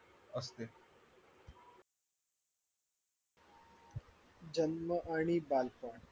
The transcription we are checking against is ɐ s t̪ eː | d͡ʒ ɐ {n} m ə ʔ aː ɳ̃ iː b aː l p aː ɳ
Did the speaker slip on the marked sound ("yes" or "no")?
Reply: no